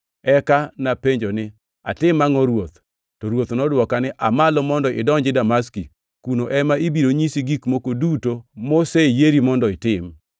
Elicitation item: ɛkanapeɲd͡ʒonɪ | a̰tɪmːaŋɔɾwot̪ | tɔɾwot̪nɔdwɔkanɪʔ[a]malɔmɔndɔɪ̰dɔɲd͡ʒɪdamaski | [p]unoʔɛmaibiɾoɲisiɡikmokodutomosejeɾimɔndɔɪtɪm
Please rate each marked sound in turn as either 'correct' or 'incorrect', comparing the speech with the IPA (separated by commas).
correct, incorrect